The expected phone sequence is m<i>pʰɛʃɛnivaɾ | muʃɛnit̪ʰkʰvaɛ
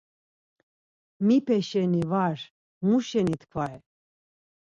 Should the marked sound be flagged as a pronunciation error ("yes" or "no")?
no